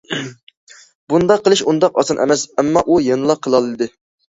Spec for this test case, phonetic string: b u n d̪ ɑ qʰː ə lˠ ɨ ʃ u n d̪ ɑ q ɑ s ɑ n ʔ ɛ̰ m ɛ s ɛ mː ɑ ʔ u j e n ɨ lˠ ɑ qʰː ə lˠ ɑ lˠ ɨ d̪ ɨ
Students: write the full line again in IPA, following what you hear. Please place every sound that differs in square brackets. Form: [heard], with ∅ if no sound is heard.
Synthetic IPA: b u n d̪ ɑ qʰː ə lˠ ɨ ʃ u n d̪ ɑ q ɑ s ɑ n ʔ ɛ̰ m ɛ s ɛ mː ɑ ʔ u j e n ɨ lˠ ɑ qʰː ə lˠ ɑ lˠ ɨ d̪ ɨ